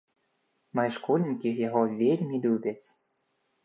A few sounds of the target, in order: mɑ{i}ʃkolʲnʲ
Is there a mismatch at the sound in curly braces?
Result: yes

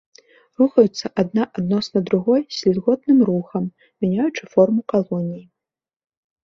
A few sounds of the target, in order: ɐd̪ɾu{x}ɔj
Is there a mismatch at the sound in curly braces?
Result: yes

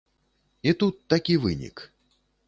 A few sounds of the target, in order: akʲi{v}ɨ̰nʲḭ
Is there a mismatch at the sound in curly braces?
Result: no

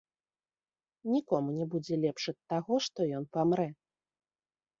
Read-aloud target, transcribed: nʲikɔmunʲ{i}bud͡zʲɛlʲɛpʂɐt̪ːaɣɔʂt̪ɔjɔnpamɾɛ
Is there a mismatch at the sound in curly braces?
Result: yes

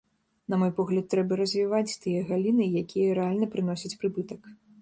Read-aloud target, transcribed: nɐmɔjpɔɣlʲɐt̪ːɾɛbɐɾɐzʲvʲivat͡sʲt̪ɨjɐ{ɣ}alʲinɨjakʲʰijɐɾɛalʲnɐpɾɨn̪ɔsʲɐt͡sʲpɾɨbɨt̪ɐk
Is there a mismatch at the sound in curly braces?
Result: no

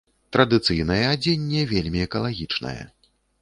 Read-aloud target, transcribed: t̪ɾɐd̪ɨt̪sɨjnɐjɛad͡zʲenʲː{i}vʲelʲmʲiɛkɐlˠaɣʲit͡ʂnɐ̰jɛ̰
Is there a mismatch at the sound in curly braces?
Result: yes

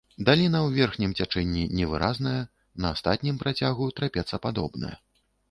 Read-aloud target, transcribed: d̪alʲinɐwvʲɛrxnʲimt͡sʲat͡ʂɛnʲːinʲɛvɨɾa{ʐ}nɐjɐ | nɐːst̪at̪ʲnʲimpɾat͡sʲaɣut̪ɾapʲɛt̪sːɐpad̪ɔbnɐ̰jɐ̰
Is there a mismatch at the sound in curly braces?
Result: yes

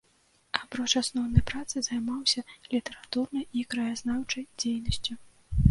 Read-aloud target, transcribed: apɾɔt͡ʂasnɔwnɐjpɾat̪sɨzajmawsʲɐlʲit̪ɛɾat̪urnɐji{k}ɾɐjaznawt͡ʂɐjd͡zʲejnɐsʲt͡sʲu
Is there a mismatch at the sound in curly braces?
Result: no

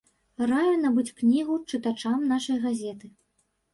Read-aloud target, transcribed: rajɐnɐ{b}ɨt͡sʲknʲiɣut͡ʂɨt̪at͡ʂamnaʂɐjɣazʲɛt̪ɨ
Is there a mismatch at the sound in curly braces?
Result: no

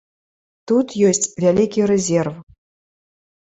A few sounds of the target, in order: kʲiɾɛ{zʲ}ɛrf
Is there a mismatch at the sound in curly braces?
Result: no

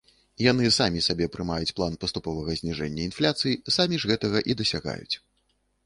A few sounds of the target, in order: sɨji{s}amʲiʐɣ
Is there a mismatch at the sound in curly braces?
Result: no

